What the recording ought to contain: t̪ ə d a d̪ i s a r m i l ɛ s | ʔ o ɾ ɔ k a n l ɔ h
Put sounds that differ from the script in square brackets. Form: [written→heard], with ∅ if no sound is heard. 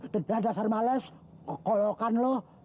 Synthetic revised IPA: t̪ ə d a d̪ [i→a] s a r m [i→a] l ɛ s | [ʔ→k] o [ɾ→l] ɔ k a n l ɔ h